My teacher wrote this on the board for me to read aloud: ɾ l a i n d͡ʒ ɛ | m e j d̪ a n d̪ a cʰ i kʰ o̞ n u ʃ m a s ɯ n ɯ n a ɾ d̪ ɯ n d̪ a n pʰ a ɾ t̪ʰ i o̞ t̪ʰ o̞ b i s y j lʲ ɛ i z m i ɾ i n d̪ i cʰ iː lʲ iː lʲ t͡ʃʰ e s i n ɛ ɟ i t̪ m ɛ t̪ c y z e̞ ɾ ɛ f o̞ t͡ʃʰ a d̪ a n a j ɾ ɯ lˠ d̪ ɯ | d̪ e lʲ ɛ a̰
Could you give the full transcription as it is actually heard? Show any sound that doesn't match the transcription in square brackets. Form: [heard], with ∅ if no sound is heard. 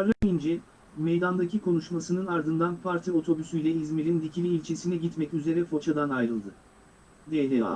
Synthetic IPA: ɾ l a i n d͡ʒ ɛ | m e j d̪ a n d̪ a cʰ i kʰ o̞ n u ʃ m a s ɯ n ɯ n a ɾ d̪ ɯ n d̪ a n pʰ a ɾ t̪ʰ i o̞ t̪ʰ o̞ b [y] s y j lʲ ɛ i z m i ɾ i n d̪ i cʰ [i] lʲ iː lʲ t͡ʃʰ e s i n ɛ ɟ i t̪ m ɛ [∅] c y z e̞ ɾ ɛ f o̞ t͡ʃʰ a d̪ a n a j ɾ ɯ lˠ d̪ ɯ | d̪ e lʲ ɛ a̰